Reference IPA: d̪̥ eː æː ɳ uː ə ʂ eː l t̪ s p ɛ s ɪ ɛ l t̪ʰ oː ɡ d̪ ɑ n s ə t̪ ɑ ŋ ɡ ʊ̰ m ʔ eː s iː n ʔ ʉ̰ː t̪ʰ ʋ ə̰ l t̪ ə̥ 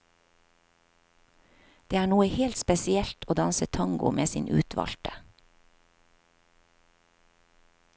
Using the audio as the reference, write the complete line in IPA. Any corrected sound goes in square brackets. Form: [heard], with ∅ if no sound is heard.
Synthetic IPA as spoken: d̪̥ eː æː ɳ uː ə [h] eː l t̪ s p ɛ s ɪ ɛ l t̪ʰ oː [∅] d̪ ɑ n s ə [t̪ʰ] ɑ ŋ ɡ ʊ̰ m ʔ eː s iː n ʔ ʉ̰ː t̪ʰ ʋ [ɑ̰] l t̪ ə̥